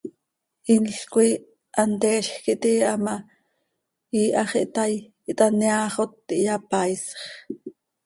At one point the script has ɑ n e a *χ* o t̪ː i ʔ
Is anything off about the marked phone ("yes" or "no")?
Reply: no